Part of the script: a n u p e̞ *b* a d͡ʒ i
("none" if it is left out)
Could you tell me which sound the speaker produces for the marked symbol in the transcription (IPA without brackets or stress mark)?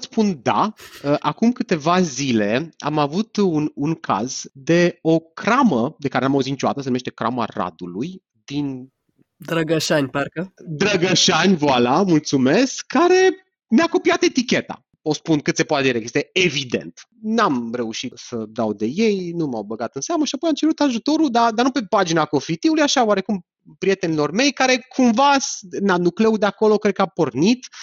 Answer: p